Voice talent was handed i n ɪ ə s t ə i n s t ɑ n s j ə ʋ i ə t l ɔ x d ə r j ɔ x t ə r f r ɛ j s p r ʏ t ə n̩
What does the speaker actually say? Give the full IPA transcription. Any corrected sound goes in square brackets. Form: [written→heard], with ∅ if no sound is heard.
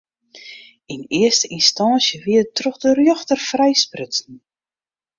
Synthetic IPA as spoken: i n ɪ ə s t ə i n s t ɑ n s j ə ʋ i ə t [l→r] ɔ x d ə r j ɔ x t ə r f r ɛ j s p r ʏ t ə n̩